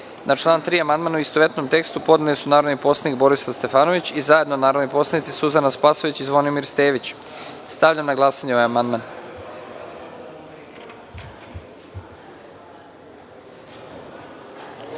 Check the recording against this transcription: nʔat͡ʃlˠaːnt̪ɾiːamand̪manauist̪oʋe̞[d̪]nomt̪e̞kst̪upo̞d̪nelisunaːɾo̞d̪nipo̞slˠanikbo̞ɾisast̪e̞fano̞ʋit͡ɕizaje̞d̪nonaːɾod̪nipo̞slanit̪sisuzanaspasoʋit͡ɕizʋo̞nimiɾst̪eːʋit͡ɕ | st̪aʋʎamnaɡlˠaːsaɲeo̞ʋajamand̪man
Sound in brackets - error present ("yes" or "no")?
yes